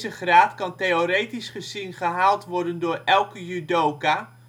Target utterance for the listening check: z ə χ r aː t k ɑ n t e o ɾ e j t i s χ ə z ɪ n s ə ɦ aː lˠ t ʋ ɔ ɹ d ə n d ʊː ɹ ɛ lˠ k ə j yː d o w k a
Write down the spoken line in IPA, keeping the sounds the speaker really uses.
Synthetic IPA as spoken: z ə χ r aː t k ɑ n t e o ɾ e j t i s χ ə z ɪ n χ ə ɦ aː lˠ t ʋ ɔ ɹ d ə n d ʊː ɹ ɛ lˠ k ə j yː d o w k a